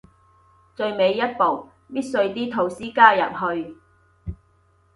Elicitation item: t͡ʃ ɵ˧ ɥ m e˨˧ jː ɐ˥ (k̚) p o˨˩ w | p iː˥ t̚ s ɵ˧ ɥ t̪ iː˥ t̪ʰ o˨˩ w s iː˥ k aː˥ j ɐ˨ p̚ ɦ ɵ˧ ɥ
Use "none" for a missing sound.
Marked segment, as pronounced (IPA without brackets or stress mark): t̚